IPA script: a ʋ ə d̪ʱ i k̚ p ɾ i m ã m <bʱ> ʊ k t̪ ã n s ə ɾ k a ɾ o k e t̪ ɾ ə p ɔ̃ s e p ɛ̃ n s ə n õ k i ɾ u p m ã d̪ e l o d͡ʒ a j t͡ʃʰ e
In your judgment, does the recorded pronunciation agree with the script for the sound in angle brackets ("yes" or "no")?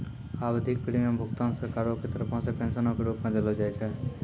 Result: yes